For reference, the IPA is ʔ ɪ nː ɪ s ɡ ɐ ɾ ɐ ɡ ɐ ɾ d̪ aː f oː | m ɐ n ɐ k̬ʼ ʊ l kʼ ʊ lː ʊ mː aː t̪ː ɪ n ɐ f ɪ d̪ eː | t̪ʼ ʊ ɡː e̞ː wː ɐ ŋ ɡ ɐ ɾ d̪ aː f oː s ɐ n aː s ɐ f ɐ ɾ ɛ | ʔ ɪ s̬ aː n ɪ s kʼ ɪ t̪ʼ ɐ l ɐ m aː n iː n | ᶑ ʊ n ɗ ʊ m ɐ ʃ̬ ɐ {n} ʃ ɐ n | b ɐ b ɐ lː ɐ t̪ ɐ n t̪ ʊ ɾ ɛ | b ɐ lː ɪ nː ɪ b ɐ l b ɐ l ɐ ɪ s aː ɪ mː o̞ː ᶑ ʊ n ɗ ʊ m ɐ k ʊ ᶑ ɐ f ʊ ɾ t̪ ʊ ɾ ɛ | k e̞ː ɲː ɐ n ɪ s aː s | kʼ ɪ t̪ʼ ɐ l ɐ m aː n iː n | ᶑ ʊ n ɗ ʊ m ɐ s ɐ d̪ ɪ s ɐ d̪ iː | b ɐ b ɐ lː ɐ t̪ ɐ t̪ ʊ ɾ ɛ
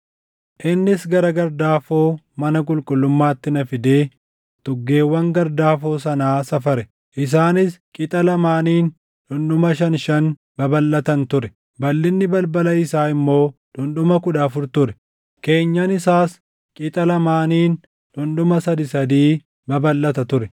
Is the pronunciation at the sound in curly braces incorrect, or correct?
correct